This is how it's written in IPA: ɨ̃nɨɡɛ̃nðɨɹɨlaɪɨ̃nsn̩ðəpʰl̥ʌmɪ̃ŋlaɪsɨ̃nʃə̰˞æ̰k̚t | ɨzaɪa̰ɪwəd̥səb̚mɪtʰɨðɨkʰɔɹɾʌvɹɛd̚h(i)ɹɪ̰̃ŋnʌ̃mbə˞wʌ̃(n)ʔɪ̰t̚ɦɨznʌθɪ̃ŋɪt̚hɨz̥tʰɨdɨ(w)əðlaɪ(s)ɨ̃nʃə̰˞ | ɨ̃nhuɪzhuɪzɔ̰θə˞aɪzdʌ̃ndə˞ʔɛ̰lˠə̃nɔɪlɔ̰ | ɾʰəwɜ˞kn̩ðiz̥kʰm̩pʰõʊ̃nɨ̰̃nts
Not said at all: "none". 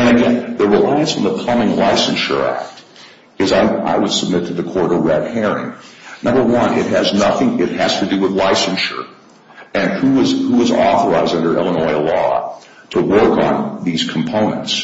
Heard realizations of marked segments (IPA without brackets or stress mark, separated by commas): ɛ, n, w, s